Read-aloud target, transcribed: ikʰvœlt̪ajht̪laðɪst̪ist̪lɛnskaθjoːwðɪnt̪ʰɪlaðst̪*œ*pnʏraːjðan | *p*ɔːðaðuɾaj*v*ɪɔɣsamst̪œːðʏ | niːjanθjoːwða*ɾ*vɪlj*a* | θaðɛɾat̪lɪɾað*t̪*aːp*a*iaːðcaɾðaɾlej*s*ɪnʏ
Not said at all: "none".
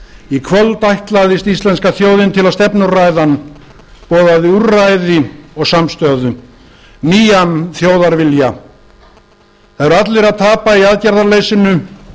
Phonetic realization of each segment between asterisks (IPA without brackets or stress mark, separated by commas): ɛ, p, ð, ɾ, a, t̪ʰ, a, s